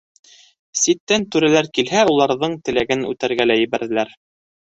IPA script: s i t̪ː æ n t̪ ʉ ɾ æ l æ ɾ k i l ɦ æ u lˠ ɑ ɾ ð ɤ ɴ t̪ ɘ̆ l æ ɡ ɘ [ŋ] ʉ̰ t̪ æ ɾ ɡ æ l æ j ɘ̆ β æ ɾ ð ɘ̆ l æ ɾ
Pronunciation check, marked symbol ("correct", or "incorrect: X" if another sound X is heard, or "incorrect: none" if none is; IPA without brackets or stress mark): incorrect: n